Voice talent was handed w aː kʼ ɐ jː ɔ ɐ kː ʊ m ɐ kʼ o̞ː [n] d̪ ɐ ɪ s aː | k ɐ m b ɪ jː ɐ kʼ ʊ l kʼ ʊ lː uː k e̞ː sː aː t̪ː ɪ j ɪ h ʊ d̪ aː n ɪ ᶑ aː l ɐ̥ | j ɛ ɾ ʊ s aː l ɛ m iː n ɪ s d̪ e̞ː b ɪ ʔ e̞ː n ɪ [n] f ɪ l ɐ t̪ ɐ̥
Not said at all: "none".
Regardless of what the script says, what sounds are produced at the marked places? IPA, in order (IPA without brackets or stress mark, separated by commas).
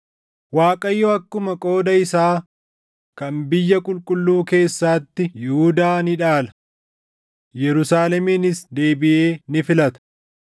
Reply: none, none